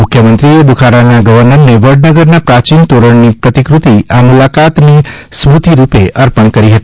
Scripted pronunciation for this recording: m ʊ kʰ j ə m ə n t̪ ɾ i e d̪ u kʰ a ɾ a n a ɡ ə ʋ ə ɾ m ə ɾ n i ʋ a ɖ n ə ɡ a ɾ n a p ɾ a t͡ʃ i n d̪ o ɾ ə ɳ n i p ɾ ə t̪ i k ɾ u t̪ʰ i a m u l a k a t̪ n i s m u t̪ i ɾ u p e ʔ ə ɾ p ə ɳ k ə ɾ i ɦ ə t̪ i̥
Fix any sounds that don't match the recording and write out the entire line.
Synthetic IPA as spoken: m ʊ kʰ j ə m ə n t̪ ɾ i e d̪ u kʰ a ɾ a n a ɡ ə ʋ ə ɾ n ə ɾ n e ʋ ə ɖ n ə ɡ ə ɾ n a p ɾ a t͡ʃ i n t̪ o ɾ ə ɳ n i p ɾ ə t̪ i k ɾ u t̪ i a m u l a k a t̪ n i s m u t̪ i ɾ u p e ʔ ə ɾ p ə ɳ k ə ɾ i ɦ ə t̪ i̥